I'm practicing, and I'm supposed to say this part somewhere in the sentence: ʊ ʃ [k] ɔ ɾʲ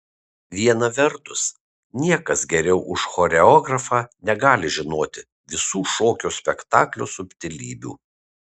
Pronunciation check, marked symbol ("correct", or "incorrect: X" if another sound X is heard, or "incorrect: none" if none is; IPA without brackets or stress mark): incorrect: x